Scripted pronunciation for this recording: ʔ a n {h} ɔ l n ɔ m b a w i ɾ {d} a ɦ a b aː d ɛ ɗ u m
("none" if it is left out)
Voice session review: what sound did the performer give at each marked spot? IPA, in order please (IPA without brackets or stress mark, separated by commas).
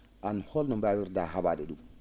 h, d